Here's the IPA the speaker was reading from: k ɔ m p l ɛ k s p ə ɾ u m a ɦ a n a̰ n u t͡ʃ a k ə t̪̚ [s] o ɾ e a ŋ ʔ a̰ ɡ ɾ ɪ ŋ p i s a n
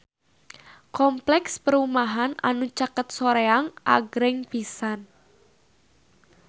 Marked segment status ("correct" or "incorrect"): correct